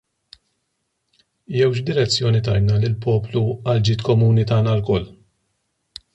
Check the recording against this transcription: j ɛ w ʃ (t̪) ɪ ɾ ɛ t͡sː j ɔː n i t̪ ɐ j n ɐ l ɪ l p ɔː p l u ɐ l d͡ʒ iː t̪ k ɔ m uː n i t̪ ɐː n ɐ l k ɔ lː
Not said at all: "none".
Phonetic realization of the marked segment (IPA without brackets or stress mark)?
d̪